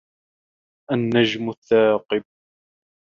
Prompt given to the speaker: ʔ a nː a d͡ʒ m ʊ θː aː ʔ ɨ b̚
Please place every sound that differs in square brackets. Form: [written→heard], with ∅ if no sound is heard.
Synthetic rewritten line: ʔ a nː a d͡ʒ m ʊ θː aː [ʔ→q] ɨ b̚

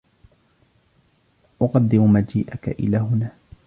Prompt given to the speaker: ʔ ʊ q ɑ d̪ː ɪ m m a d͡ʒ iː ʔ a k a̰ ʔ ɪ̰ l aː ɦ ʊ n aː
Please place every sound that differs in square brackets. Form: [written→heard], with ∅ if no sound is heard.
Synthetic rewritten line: ʔ ʊ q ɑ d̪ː ɪ m m a d͡ʒ iː ʔ a k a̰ ʔ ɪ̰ l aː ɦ ʊ n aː

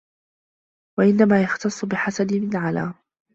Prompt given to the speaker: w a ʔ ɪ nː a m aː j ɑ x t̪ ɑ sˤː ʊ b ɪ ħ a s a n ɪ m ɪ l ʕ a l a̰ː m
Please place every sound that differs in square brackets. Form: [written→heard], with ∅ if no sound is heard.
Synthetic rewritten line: w a ʔ ɪ nː a m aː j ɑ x t̪ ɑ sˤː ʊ b ɪ ħ a s a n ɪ m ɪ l ʕ a l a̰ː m

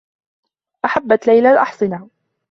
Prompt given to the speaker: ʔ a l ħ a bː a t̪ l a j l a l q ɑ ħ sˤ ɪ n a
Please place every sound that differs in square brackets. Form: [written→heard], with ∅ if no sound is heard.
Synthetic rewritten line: ʔ a [l→∅] ħ a bː a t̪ l a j l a l [q→ʔ] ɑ ħ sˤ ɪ n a

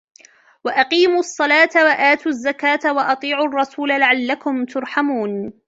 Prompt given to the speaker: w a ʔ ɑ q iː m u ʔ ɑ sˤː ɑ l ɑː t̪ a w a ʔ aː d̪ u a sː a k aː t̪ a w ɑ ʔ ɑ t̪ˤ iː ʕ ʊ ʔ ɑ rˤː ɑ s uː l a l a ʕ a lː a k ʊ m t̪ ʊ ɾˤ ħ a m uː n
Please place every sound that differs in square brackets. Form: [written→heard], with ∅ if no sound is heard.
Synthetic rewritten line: w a ʔ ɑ q iː m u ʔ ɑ sˤː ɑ l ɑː t̪ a w a ʔ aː [d̪→t̪] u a [sː→zː] a k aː t̪ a w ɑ ʔ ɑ t̪ˤ iː ʕ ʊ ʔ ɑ rˤː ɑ s uː l a l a ʕ a lː a k ʊ m t̪ ʊ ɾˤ ħ a m uː n

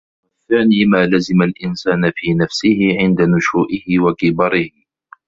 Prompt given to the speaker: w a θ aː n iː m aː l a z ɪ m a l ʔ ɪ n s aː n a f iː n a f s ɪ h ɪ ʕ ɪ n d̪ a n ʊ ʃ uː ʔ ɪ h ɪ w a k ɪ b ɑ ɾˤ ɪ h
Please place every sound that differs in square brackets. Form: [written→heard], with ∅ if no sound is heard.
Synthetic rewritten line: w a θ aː n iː m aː l a z ɪ m a l ʔ ɪ n s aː n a f iː n a f s ɪ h ɪ ʕ ɪ n d̪ a n ʊ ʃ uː ʔ ɪ h ɪ w a k ɪ b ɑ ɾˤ ɪ h

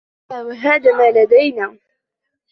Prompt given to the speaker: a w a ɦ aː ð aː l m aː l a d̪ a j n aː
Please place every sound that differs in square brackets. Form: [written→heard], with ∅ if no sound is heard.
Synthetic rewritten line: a w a ɦ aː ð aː [l→∅] m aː l a d̪ a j n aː

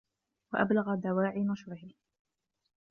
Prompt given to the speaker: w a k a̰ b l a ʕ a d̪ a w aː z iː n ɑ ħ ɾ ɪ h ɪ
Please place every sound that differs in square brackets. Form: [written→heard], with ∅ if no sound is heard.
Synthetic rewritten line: w a [k→ʔ] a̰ b l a [ʕ→ɣ] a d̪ a w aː [z→ʕ] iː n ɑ [ħ→ʃ] ɾ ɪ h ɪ

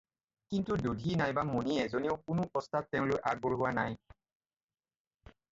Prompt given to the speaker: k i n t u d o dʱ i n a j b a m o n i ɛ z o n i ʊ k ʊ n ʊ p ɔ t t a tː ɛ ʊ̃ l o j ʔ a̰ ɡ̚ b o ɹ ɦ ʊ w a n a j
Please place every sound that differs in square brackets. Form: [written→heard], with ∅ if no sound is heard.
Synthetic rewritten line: k i n t u d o dʱ i n a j b a m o n i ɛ z o n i ʊ k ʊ n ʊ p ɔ [t→s] t a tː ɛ ʊ̃ l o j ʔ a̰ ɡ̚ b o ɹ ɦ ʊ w a n a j

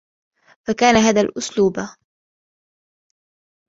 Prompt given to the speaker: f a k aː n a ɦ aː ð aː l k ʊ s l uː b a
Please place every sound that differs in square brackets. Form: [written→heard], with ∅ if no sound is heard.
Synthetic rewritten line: f a k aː n a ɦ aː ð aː l [k→ʔ] ʊ s l uː b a

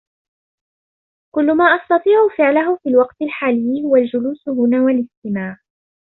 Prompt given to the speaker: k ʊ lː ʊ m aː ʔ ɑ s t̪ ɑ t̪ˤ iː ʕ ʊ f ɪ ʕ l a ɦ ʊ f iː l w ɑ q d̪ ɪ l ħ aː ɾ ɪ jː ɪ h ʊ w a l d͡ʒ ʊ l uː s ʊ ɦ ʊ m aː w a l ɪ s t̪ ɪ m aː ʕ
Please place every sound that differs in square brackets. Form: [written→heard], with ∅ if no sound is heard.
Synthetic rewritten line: k ʊ lː ʊ m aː ʔ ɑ s t̪ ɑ t̪ˤ iː ʕ ʊ f ɪ ʕ l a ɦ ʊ f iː l w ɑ q [d̪→t̪] ɪ l ħ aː [ɾ→l] ɪ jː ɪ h ʊ w a l d͡ʒ ʊ l uː s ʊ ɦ ʊ [m→n] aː w a l ɪ s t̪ ɪ m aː ʕ

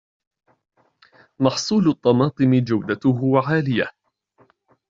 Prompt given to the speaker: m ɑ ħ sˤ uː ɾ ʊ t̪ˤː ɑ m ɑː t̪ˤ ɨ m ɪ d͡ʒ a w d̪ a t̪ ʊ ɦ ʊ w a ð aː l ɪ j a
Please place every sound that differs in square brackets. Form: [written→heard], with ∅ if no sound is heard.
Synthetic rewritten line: m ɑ ħ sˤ uː [ɾ→l] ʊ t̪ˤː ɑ m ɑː t̪ˤ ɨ m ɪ d͡ʒ a w d̪ a t̪ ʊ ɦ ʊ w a [ð→ʕ] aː l ɪ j a

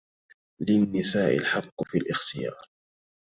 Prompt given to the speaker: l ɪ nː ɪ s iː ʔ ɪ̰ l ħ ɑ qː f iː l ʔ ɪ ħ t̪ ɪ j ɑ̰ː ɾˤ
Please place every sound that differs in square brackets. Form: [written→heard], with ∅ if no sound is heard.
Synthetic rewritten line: l ɪ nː ɪ s [iː→aː] ʔ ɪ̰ l ħ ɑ qː f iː l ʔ ɪ [ħ→x] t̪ ɪ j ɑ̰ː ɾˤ

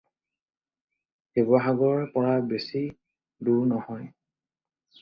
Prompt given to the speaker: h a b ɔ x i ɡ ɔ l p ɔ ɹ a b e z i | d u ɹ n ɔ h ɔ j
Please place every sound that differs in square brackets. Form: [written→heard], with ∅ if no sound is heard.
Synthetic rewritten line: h [a→e] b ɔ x [i→a] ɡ ɔ [l→ɹ] p ɔ ɹ a b e [z→s] i | d u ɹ n ɔ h ɔ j

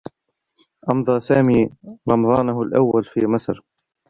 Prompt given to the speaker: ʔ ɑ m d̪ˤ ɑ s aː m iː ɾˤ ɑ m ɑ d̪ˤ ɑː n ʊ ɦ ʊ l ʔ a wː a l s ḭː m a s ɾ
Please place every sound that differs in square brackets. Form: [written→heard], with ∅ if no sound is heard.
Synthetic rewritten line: ʔ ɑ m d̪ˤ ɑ s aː m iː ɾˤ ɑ m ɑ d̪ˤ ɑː n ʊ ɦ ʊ l ʔ a wː a l [s→f] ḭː m a s ɾ

